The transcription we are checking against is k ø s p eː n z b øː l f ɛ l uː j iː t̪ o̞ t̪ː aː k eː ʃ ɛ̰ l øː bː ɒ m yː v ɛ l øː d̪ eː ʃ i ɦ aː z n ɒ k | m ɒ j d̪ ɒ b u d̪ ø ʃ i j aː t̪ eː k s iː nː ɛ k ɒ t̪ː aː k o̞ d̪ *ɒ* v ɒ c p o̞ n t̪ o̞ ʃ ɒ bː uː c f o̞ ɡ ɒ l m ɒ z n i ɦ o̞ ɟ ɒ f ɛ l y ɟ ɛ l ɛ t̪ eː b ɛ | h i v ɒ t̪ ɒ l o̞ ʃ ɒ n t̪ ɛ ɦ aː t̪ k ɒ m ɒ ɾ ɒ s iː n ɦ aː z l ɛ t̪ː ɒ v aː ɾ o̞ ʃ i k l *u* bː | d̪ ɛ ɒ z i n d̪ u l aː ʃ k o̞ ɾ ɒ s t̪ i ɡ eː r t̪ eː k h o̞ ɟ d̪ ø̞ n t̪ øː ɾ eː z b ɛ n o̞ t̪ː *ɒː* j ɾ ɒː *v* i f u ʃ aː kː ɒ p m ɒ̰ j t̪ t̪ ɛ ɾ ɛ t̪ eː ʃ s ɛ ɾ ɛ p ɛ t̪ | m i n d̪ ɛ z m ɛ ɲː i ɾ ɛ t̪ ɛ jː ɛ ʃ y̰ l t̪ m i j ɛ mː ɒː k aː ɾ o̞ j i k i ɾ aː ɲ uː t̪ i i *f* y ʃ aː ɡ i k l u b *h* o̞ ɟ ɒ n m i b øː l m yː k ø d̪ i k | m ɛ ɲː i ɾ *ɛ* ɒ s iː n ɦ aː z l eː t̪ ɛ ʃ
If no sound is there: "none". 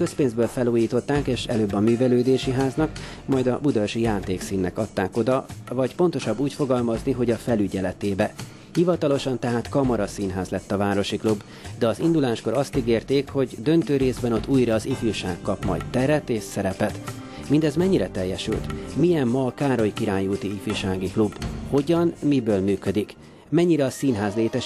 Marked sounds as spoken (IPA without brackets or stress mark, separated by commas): ɒ, u, uː, z, f, h, ɛ